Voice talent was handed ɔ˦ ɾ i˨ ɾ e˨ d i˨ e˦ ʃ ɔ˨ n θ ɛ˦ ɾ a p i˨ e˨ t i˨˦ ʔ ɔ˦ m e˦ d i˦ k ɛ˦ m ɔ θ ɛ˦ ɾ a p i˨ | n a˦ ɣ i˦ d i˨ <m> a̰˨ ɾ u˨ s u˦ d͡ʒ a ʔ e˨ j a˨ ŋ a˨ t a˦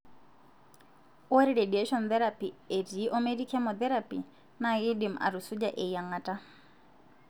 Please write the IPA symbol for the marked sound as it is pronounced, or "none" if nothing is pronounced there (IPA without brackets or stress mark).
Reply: m